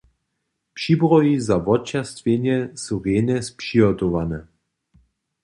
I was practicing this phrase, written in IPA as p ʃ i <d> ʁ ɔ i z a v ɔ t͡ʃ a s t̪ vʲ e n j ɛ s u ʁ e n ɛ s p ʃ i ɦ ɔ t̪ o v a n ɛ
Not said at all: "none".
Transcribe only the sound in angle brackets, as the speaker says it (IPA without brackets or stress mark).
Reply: b